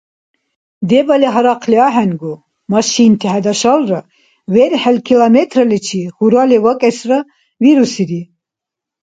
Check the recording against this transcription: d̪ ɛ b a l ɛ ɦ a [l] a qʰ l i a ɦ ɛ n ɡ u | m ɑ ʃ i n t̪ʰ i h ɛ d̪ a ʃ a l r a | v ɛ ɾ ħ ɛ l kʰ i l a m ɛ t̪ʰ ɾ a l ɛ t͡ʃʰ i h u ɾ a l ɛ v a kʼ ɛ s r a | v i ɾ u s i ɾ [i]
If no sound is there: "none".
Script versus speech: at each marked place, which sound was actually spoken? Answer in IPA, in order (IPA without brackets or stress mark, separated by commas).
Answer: ɾ, i